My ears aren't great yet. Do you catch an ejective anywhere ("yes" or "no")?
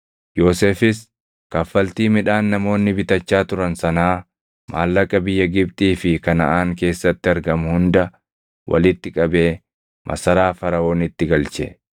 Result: yes